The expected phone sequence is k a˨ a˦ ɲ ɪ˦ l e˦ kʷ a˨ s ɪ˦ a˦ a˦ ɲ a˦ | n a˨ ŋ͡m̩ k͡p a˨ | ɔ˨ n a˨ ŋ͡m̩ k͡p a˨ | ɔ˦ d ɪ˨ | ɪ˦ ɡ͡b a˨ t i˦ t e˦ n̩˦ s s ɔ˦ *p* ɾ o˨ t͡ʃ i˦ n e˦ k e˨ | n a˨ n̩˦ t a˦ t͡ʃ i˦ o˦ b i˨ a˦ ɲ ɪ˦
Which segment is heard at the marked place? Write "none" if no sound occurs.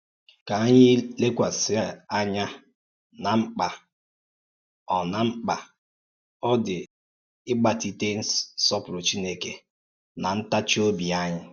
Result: p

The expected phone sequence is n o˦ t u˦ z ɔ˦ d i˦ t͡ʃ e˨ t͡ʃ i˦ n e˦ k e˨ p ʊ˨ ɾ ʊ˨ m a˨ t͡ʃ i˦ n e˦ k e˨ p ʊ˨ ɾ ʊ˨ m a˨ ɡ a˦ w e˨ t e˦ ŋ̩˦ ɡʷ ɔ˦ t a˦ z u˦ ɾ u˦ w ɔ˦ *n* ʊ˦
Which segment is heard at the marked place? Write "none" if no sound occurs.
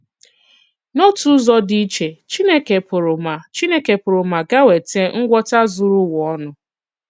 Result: n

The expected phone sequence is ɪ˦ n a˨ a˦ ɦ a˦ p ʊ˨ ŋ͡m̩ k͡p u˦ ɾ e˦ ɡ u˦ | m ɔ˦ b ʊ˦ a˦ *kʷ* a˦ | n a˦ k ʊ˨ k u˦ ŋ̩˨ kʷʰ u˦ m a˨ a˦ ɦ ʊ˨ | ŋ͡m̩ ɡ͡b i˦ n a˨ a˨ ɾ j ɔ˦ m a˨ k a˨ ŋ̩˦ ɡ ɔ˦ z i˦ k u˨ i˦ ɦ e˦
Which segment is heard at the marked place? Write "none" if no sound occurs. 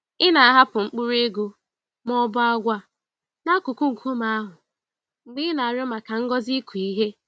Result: ɡʷ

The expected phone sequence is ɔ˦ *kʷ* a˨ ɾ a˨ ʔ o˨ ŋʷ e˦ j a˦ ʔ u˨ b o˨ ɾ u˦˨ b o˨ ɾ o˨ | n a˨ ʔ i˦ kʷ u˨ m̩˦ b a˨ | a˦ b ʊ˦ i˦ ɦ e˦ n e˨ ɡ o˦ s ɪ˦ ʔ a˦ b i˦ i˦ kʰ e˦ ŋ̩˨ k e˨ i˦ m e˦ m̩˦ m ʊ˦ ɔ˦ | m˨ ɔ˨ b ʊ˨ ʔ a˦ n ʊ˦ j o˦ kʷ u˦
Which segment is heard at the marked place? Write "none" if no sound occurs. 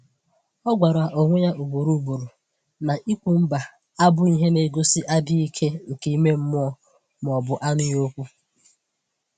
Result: ɡʷ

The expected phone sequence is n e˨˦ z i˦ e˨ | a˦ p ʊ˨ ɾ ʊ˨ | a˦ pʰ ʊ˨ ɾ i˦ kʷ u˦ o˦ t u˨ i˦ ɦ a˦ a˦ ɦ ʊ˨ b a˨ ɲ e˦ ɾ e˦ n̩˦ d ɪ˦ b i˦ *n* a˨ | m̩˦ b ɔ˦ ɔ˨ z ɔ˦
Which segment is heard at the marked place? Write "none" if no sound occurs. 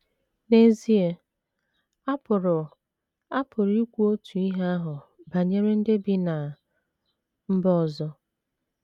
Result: n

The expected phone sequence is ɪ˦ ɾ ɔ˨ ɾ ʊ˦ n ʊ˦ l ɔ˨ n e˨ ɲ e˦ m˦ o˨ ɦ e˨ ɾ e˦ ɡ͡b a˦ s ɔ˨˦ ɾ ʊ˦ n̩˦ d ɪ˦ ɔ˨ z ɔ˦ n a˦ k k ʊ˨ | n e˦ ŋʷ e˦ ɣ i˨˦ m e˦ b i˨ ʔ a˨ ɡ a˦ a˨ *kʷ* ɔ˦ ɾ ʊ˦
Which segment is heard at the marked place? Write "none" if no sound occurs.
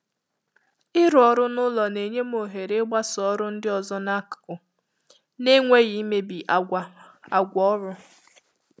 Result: ɡʷ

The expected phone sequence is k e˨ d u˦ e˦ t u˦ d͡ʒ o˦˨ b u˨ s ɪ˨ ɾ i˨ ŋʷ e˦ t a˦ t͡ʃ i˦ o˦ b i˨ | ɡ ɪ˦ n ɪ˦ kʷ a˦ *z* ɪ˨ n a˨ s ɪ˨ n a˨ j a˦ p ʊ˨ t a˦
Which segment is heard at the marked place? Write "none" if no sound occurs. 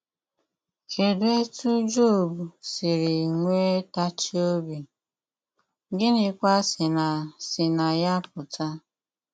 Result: s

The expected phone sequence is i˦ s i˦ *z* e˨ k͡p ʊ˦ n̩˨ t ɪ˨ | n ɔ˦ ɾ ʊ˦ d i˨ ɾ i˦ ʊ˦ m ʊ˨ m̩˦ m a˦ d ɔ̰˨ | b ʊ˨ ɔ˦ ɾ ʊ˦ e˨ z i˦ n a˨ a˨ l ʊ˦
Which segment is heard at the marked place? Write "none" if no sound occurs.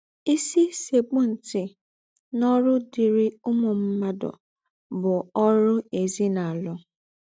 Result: s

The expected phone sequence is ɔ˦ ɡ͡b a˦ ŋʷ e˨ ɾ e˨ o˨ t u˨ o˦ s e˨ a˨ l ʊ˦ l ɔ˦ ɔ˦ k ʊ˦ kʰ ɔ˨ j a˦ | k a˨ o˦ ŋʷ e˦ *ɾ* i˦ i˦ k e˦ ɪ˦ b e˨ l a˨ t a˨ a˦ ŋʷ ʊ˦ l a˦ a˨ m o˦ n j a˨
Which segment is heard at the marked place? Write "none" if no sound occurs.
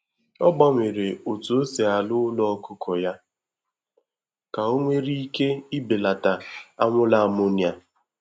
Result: ɾ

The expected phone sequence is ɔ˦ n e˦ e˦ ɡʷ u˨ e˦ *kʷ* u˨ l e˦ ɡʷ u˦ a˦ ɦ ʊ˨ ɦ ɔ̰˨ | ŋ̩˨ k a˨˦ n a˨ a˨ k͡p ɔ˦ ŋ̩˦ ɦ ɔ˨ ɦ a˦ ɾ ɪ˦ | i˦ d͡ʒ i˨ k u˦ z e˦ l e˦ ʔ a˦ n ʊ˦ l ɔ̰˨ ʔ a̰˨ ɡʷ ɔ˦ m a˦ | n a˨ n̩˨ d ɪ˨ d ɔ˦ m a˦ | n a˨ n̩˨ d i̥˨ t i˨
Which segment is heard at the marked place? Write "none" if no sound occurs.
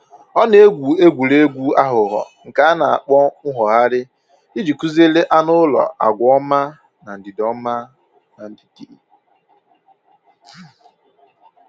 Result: ɡʷ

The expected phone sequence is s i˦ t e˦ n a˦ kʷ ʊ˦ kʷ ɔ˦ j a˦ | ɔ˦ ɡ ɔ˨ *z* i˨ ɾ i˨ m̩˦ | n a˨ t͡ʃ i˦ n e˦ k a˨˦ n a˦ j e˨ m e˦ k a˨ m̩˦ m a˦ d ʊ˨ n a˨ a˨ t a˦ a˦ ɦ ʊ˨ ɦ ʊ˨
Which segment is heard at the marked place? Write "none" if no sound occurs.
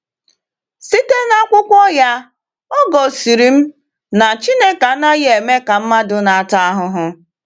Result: s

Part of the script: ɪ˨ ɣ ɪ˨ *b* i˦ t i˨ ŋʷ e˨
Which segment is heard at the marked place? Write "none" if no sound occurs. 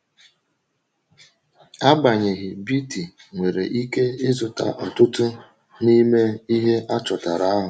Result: b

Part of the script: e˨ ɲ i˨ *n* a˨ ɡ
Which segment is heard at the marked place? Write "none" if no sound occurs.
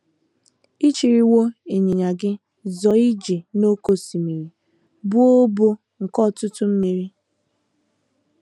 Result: ɲ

